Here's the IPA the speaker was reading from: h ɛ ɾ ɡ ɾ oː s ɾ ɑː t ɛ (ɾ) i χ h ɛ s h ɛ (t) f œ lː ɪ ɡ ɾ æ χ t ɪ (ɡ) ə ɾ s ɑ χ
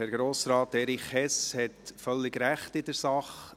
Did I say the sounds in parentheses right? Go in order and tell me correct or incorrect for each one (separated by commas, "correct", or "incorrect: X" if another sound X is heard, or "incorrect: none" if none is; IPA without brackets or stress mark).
correct, correct, incorrect: d